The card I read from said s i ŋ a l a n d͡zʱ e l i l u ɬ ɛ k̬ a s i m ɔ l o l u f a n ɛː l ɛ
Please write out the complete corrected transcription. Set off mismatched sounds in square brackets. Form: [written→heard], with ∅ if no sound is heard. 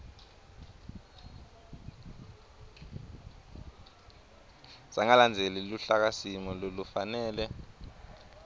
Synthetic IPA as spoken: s [i→a] ŋ a l a n d͡zʱ e l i l u ɬ [ɛ→a] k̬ a s i m ɔ l o l u f a n ɛː l ɛ